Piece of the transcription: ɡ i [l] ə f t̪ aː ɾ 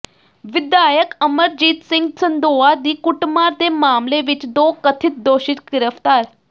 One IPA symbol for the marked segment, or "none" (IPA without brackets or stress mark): ɾ